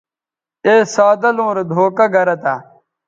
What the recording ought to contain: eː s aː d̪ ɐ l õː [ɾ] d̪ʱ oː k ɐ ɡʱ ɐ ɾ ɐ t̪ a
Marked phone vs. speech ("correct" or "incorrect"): correct